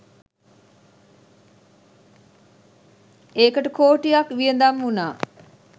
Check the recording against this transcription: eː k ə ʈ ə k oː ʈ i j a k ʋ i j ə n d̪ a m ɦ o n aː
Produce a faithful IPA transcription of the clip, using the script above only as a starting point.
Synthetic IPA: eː k ə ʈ ə k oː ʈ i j a k ʋ i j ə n d̪ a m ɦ u n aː